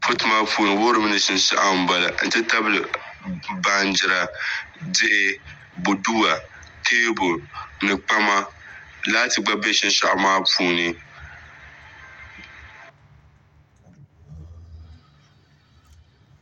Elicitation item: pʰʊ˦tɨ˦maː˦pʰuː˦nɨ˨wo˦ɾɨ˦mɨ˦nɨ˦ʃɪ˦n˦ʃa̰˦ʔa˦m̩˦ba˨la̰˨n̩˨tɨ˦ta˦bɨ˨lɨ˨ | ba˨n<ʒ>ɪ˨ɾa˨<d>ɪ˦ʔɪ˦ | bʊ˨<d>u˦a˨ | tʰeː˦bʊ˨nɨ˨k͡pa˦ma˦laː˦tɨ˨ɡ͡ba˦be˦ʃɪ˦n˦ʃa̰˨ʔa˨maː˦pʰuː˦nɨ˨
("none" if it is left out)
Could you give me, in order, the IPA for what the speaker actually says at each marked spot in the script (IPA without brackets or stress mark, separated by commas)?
d͡ʒ, d, d